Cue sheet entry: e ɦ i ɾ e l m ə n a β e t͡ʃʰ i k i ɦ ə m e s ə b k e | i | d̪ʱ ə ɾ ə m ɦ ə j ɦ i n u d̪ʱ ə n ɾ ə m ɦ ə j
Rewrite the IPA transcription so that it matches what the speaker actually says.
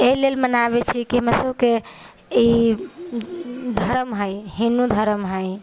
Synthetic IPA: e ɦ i l e l m ə n a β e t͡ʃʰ i k i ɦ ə m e s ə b k e | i | d̪ʱ ə ɾ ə m ɦ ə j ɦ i n u d̪ʱ ə ɾ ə m ɦ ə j